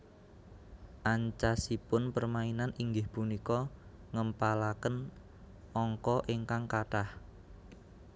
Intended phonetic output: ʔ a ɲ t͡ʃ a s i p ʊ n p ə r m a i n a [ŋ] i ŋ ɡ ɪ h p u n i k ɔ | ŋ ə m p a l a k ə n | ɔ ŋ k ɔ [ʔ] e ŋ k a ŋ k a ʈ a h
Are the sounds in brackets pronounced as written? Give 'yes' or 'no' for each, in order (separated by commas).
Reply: no, yes